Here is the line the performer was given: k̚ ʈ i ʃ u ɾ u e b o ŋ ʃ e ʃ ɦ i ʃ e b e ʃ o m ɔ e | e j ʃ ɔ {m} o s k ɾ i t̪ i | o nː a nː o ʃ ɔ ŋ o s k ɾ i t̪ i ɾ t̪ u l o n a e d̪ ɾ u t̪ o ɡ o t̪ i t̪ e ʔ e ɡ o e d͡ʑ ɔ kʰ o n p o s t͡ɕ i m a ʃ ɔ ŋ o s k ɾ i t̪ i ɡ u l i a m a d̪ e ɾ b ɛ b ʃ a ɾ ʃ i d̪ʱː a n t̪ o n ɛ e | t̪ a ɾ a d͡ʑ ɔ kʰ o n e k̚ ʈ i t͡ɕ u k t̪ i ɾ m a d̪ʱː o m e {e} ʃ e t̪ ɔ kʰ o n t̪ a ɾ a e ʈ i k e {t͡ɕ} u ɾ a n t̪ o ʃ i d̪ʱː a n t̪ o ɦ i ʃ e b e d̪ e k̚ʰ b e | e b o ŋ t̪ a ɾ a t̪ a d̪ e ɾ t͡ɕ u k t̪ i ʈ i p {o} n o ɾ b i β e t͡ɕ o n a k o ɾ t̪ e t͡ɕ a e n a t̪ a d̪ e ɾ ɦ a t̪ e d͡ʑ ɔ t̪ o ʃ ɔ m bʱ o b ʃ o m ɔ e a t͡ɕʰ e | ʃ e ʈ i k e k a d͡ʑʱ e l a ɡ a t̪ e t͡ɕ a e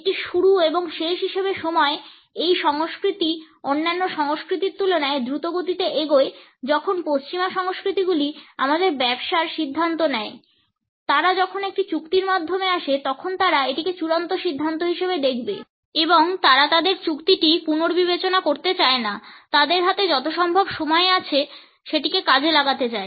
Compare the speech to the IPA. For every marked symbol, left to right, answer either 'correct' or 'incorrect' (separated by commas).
incorrect, incorrect, correct, incorrect